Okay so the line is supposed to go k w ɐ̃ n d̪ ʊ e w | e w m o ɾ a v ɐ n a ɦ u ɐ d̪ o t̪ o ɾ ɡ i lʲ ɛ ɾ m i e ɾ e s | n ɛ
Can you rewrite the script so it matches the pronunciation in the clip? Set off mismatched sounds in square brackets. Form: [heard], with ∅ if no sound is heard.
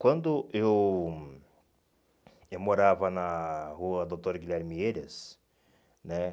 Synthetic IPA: k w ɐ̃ n d̪ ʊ e w | e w m o ɾ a v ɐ n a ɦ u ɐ d̪ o t̪ o ɾ ɡ i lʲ ɛ ɾ m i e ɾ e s | n ɛ